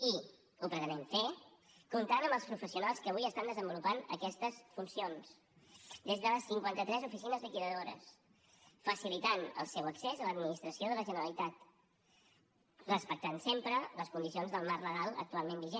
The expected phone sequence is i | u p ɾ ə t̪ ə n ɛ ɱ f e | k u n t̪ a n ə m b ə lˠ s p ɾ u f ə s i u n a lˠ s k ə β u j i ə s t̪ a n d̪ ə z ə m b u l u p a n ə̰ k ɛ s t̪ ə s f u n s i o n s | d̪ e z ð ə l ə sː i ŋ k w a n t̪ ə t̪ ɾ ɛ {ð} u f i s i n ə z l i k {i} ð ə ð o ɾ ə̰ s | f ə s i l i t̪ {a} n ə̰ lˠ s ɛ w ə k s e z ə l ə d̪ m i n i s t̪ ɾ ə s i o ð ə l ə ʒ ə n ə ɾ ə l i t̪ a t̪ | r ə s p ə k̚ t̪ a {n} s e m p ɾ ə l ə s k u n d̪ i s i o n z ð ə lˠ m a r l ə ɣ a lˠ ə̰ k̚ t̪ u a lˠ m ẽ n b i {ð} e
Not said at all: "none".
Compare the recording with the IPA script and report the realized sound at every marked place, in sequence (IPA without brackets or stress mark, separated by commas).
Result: z, i, a, n, ʒ